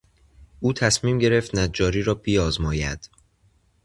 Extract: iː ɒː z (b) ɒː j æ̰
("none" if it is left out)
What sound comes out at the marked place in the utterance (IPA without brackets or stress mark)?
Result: m